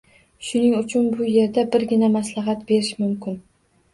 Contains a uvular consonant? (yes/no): no